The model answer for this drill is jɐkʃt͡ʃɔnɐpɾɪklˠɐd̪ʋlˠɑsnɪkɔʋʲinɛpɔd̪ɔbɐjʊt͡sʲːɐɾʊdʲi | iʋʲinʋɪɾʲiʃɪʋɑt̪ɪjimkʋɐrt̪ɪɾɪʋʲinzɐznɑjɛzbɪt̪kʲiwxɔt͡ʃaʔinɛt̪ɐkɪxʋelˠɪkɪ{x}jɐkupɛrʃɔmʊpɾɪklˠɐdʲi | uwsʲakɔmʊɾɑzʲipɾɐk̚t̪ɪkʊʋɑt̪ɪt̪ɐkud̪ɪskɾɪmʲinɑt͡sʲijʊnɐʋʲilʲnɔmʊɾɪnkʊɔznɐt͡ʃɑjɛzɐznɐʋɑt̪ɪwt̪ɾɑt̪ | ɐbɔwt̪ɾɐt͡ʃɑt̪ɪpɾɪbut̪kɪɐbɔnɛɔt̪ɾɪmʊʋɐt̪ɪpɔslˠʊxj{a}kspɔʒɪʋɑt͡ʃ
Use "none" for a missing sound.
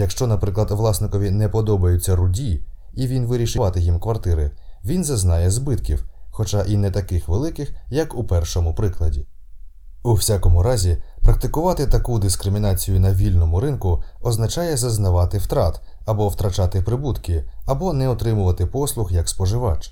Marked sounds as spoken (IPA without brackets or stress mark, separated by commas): x, ɐ